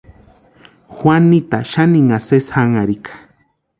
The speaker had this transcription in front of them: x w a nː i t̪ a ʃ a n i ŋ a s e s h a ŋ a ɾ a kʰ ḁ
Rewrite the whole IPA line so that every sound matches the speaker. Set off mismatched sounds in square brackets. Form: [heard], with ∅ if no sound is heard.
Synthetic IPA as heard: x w a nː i t̪ a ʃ a n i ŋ a s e s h a ŋ a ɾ [i] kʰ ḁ